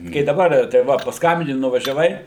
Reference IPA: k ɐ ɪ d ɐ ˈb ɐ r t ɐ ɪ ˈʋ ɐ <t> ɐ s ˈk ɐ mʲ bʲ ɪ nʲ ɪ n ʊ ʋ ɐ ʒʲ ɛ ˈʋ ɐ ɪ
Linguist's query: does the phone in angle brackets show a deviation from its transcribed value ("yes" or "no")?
yes